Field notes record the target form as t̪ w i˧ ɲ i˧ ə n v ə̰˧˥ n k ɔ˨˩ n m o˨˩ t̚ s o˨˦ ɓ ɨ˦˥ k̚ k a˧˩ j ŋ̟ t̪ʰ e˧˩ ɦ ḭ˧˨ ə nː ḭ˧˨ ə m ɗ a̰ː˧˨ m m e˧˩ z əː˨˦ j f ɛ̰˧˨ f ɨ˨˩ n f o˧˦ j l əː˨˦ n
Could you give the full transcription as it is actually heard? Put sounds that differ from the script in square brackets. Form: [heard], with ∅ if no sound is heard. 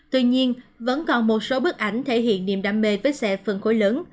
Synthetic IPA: t̪ w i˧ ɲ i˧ ə n v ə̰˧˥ n k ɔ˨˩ n m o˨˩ t̚ s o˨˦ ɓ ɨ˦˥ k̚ [ʔ] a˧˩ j ŋ̟ t̪ʰ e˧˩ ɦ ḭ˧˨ ə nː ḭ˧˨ ə m ɗ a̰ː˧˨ m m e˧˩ [v] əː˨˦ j [s] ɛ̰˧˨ f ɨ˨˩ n [x] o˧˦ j l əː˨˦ n